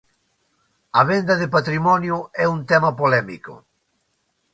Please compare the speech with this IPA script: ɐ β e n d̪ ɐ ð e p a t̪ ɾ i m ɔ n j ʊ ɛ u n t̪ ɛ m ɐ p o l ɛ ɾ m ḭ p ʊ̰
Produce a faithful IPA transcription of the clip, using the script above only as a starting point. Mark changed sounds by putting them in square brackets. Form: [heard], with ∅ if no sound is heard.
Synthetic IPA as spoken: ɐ β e n d̪ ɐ ð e p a t̪ ɾ i m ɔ n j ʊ ɛ u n t̪ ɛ m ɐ p o l ɛ [∅] m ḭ [k] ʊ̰